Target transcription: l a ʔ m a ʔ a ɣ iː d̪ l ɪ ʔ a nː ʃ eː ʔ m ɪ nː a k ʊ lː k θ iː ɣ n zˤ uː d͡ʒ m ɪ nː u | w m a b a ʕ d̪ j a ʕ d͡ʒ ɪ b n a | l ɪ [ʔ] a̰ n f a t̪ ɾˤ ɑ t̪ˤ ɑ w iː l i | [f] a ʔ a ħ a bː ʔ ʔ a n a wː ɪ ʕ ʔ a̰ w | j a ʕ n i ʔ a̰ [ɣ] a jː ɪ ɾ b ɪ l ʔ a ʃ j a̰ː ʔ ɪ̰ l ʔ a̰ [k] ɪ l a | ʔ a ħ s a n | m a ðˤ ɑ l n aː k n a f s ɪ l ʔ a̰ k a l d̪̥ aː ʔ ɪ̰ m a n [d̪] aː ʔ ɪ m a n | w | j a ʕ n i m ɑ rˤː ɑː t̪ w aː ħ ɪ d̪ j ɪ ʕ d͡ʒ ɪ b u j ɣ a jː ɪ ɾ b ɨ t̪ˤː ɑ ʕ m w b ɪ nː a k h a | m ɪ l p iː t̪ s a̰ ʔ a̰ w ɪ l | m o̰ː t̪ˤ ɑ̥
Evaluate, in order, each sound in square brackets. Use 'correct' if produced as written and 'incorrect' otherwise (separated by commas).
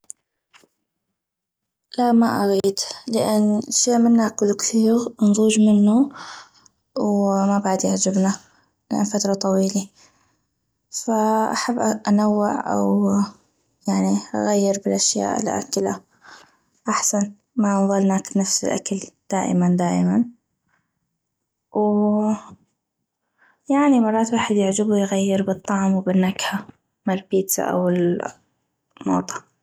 correct, correct, correct, correct, correct